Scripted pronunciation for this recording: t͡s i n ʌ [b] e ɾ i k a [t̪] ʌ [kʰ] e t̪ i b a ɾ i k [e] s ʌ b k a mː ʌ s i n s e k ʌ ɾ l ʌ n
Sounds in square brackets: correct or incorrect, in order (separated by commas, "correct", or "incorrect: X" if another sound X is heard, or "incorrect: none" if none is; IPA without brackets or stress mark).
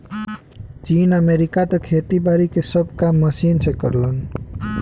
incorrect: m, correct, correct, correct